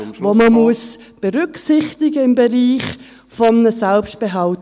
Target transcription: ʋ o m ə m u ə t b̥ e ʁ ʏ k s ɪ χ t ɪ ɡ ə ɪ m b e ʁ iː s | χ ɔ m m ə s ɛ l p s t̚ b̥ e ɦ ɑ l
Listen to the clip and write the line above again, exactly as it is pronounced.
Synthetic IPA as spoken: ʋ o m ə m u ə s b̥ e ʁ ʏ k s ɪ χ t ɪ ɡ ə ɪ m b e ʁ iː χ | f ɔ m n ə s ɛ l p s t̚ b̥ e ɦ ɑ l